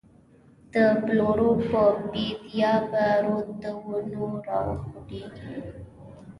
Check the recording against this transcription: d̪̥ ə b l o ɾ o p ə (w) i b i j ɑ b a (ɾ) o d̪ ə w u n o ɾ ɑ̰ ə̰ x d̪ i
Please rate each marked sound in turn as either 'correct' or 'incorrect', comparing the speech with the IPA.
incorrect: b, correct

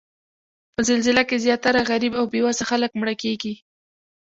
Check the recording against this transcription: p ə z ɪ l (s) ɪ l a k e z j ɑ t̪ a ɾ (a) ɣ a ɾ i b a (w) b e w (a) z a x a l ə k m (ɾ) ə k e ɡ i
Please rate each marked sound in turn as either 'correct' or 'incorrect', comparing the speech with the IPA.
incorrect: z, correct, correct, correct, incorrect: ɽ

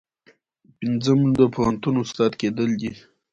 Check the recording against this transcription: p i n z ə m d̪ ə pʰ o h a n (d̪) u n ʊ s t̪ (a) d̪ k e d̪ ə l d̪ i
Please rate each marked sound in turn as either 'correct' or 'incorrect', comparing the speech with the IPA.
incorrect: t̪, incorrect: ɑ

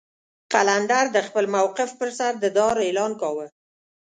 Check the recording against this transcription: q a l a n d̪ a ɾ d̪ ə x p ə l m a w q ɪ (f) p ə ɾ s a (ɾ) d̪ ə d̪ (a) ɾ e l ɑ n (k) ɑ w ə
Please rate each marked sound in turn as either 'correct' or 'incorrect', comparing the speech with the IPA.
correct, correct, incorrect: ɑ, correct

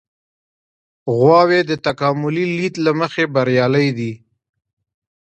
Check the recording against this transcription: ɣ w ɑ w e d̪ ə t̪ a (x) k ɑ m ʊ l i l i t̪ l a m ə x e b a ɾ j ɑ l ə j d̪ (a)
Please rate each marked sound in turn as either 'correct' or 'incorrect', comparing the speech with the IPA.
incorrect: none, incorrect: i

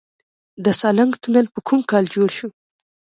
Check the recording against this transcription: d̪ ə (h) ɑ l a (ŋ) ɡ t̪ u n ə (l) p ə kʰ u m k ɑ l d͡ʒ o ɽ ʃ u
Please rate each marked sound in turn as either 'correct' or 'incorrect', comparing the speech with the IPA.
incorrect: s, correct, correct

